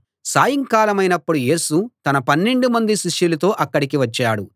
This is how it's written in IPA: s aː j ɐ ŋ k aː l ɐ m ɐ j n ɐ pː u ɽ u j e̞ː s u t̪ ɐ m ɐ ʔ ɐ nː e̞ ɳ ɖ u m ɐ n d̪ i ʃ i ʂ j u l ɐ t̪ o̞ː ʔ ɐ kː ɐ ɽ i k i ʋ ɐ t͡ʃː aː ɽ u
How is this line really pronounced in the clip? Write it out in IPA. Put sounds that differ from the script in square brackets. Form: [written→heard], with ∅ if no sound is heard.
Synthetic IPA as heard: s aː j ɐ ŋ k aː l ɐ m ɐ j n ɐ pː u ɽ u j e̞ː s u t̪ ɐ [m→n] ɐ [ʔ→p] ɐ nː e̞ ɳ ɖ u m ɐ n d̪ i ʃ i ʂ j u l ɐ t̪ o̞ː ʔ ɐ kː ɐ ɽ i k i ʋ ɐ t͡ʃː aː ɽ u